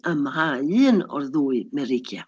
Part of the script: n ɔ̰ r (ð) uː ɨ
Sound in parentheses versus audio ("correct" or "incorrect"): correct